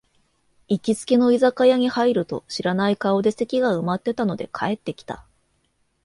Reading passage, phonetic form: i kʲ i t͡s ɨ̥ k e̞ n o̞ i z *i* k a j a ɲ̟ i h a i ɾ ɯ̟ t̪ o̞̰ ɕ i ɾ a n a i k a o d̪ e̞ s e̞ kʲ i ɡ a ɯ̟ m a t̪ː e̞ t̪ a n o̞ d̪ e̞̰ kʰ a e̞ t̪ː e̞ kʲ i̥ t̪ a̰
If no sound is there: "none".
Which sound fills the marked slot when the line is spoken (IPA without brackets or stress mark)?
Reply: a